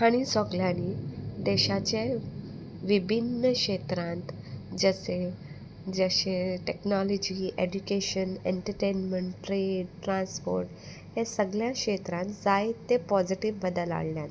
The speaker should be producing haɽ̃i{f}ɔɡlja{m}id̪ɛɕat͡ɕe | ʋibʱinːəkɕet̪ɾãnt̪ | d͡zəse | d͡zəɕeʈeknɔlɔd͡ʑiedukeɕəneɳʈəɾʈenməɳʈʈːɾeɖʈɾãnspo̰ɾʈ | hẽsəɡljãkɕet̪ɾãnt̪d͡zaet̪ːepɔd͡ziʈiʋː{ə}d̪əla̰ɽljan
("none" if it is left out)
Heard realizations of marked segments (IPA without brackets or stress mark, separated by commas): s, n, ə